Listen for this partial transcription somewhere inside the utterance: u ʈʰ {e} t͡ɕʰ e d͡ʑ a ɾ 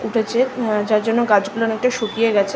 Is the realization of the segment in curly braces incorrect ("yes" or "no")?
no